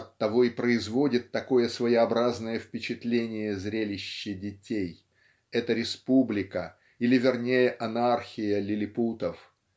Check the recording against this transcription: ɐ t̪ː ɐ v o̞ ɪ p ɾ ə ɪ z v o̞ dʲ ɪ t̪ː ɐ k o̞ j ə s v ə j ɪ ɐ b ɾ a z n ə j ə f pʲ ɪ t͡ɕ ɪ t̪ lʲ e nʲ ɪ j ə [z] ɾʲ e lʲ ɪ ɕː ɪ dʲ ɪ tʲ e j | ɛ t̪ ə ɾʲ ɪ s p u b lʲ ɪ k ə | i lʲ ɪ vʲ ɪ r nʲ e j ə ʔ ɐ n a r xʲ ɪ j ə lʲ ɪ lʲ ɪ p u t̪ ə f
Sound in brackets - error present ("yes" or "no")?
no